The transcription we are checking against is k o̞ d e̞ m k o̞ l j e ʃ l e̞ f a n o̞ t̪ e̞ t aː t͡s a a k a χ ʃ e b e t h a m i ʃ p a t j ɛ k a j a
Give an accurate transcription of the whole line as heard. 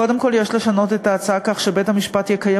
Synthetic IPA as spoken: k o̞ d e̞ m k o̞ l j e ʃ l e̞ ʃ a n o̞ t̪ e̞ t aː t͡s a a k a χ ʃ e b e t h a m i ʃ p a t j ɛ k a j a